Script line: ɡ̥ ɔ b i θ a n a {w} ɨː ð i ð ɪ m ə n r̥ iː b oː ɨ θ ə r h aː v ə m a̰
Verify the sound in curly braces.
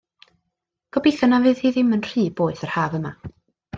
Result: incorrect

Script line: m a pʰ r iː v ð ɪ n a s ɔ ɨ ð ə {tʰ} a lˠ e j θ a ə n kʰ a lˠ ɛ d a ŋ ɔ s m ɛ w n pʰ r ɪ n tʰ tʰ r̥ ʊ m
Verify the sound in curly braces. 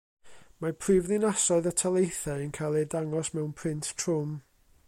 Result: correct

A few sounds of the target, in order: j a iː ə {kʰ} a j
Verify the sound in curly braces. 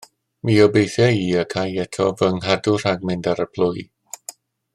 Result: correct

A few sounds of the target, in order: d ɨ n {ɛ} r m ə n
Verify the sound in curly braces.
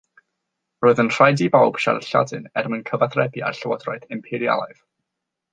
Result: correct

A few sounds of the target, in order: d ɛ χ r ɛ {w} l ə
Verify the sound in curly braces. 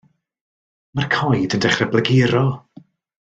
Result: incorrect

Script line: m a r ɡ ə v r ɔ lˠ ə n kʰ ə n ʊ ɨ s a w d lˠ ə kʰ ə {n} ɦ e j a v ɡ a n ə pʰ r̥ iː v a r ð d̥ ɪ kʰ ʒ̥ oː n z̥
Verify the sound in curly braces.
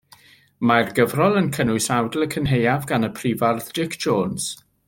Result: correct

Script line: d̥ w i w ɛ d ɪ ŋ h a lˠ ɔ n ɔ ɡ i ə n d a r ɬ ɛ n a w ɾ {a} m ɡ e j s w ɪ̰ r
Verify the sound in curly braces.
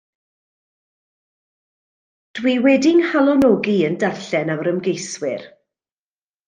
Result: incorrect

